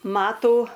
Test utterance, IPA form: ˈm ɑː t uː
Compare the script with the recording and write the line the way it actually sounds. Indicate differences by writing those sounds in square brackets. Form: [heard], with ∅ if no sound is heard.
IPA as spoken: ˈm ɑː t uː